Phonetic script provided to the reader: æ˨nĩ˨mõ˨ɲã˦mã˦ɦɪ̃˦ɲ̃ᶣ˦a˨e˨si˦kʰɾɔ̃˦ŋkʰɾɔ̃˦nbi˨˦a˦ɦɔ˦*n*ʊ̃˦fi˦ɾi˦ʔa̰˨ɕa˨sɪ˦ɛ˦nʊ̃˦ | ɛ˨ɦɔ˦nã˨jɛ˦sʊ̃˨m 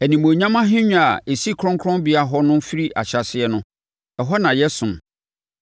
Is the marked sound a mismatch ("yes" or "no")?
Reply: no